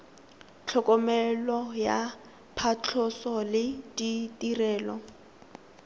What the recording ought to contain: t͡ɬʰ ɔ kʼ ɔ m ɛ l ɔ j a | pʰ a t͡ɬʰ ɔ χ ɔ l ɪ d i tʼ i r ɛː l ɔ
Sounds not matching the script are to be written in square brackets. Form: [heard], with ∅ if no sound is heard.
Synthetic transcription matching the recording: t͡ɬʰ ɔ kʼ ɔ m ɛ l ɔ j a | pʰ a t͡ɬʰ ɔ [s] ɔ l ɪ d i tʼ i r ɛː l ɔ

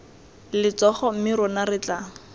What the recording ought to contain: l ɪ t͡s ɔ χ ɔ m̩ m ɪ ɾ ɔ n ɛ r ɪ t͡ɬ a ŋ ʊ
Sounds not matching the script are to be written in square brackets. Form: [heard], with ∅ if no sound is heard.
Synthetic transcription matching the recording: l ɪ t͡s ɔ χ ɔ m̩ m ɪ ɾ ɔ n [a] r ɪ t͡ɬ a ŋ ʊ

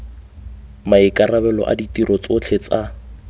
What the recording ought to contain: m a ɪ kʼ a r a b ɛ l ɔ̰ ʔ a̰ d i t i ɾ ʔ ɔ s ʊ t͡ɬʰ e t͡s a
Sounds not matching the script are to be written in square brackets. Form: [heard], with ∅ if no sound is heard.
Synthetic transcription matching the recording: m a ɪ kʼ a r a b ɛ l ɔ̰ ʔ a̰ d i t i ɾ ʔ ɔ [t͡s] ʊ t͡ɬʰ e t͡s a

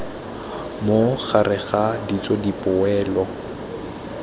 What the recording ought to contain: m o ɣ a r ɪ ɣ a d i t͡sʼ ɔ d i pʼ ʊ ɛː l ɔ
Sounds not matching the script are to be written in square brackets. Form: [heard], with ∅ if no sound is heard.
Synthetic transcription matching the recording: m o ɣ a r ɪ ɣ a d i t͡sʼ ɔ d i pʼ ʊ ɛː l ɔ

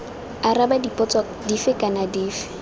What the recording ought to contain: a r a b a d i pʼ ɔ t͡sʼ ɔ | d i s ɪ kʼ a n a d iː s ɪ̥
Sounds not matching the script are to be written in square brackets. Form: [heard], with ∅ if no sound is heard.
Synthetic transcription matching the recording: a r a b a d i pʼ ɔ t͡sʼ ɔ | d i [f] ɪ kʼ a n a d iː [f] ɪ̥

